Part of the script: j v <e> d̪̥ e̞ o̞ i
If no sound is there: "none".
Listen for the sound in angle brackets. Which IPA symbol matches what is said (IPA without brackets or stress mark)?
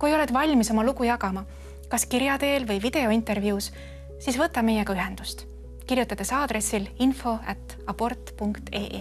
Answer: i